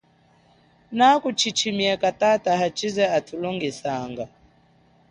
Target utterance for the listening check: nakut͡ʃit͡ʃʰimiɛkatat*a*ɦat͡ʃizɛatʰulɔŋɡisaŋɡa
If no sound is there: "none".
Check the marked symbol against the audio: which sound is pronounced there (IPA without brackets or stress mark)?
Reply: a